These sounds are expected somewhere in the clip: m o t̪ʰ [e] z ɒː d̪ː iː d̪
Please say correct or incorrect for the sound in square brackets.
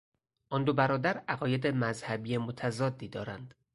incorrect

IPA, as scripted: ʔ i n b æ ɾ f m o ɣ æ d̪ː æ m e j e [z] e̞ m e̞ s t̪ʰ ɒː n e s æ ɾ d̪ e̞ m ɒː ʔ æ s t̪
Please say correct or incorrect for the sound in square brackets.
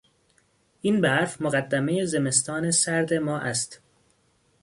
correct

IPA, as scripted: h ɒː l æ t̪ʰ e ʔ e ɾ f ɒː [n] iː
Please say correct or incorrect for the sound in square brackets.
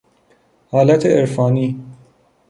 correct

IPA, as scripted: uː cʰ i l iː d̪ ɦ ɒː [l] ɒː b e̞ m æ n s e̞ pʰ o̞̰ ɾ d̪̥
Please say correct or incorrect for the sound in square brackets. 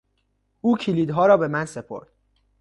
incorrect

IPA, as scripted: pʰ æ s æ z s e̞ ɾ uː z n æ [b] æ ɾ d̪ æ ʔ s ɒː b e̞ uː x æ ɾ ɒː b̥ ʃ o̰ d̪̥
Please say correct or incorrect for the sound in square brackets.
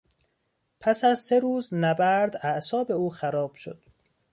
correct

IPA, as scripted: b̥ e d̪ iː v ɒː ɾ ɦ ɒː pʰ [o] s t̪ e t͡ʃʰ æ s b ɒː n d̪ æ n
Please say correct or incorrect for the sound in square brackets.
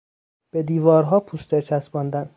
incorrect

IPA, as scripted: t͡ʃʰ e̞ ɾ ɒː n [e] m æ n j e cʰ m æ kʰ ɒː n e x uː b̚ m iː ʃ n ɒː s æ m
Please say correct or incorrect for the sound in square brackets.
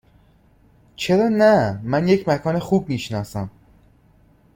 incorrect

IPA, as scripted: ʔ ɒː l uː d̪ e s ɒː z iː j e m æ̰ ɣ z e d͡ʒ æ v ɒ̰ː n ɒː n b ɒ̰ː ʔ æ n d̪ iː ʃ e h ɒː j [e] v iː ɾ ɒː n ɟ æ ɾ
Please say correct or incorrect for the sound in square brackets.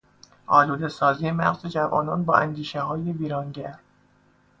correct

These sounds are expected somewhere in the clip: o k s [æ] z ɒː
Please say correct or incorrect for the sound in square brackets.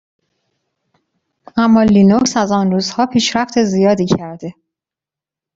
correct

